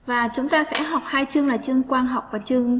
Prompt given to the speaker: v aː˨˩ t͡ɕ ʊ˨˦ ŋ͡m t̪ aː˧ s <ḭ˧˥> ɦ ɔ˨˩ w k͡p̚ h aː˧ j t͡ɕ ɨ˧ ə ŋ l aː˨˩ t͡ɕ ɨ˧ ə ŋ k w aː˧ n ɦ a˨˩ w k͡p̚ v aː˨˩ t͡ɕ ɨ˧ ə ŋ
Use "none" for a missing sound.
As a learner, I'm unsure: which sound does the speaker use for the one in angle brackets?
ɛ̰˧˥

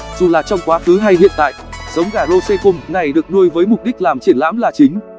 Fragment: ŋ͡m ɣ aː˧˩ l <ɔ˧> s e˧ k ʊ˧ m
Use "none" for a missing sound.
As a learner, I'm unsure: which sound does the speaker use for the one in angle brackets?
o˧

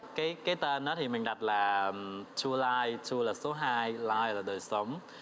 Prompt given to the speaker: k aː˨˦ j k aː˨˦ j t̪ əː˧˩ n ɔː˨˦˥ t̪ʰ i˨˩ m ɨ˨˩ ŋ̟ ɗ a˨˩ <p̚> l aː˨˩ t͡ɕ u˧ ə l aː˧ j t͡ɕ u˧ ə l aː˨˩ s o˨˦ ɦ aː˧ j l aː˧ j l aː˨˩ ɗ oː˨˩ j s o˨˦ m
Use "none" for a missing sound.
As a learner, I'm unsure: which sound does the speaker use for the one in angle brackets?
t̚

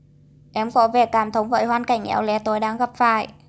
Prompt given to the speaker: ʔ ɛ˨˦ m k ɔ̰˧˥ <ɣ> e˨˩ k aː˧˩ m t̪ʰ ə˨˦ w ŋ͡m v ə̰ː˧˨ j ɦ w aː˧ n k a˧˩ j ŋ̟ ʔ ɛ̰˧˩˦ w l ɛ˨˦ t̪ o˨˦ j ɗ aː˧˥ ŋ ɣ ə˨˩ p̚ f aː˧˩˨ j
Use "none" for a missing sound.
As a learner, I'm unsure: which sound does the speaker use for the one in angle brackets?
v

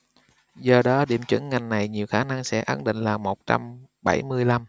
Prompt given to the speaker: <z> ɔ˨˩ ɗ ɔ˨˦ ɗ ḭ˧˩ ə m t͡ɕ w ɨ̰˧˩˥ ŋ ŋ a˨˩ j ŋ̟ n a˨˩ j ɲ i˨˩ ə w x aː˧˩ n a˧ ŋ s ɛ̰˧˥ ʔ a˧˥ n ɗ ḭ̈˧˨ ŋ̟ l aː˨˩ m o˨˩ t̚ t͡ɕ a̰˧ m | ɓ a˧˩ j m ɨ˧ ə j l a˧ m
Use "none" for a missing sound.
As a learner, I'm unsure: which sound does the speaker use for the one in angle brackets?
z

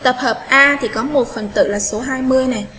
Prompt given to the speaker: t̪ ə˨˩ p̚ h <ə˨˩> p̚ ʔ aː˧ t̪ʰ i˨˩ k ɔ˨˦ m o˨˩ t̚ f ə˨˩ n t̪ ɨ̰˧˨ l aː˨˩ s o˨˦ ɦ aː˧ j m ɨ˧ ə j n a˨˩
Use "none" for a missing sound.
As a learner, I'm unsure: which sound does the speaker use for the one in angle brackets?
əː˨˩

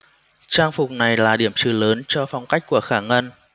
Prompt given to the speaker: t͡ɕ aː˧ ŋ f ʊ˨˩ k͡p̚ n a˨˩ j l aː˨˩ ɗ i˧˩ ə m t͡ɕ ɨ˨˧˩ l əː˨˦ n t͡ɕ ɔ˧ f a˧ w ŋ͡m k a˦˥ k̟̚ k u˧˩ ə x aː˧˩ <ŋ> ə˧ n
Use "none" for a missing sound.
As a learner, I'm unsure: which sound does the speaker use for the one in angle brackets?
ŋ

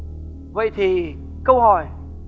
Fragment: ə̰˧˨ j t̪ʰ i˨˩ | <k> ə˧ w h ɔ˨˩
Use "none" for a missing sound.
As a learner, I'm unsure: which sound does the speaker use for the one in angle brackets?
k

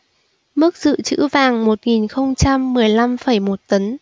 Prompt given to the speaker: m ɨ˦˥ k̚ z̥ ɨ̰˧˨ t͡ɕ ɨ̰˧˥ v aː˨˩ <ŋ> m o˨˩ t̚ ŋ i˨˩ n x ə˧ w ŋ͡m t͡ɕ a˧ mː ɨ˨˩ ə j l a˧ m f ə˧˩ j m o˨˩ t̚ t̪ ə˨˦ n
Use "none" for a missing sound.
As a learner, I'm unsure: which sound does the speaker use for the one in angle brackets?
ŋ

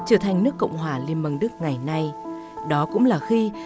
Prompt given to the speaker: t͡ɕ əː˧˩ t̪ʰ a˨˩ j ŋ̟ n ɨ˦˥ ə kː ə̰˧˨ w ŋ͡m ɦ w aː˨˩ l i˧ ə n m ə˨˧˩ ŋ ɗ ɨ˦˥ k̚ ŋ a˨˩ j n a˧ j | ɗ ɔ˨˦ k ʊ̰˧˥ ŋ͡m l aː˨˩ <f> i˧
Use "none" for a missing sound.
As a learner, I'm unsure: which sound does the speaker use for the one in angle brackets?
x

